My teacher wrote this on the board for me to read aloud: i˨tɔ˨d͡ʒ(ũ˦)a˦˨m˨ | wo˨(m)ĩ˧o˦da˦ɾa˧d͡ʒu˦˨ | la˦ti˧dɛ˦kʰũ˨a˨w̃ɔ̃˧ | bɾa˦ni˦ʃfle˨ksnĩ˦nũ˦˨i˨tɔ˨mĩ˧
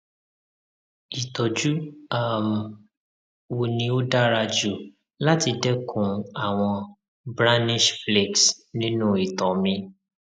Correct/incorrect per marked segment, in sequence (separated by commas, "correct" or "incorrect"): incorrect, incorrect